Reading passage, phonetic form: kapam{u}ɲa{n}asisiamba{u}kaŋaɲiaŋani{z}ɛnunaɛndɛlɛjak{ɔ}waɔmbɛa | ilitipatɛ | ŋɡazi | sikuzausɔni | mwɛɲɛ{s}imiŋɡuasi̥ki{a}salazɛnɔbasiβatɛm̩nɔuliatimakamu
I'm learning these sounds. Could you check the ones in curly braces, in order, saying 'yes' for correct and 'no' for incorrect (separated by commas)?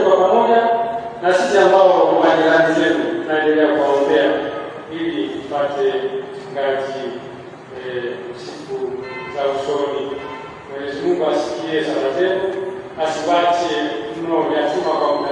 no, yes, no, yes, no, no, no